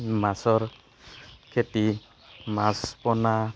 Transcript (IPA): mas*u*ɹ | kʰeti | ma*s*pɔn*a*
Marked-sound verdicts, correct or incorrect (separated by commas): incorrect, correct, correct